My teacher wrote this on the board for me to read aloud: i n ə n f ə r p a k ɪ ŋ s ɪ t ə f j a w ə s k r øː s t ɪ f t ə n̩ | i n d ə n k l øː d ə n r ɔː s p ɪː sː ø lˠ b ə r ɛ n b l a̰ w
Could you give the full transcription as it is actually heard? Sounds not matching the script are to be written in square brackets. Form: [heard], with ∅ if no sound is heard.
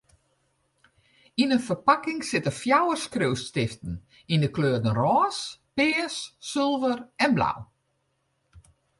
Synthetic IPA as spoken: i n ə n f ə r p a k ɪ ŋ s ɪ t ə f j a w ə s k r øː s t ɪ f t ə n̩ | i n d ə [∅] k l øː d ə n r ɔː s p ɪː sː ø lˠ [v] ə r ɛ n b l a̰ w